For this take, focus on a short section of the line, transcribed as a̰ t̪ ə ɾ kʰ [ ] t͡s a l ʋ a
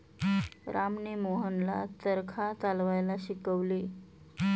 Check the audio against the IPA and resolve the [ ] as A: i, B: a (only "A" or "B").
B